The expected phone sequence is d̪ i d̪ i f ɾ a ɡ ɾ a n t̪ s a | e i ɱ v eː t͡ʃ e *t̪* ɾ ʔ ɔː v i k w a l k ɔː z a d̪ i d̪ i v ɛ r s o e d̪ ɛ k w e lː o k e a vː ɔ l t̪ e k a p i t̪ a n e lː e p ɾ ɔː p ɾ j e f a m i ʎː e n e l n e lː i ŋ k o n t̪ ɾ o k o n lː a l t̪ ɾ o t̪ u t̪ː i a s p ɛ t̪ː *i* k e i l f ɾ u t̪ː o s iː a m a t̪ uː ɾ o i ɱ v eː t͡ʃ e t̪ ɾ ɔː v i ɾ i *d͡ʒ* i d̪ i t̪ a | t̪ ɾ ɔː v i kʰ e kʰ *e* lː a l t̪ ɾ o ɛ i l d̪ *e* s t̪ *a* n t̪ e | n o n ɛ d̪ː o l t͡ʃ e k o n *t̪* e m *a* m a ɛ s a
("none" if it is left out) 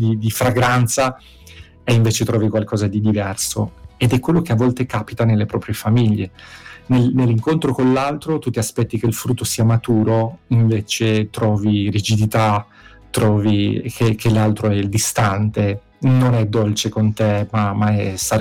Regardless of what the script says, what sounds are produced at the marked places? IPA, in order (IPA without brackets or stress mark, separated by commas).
t̪, i, d͡ʒ, e, i, a, t̪, a